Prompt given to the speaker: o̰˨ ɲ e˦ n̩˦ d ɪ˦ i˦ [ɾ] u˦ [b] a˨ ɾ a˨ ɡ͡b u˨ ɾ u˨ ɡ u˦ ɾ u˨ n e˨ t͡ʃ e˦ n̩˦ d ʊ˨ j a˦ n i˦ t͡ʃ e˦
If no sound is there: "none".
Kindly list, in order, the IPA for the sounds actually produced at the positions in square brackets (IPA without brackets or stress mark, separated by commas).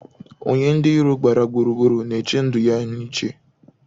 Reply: ɾ, ɡ͡b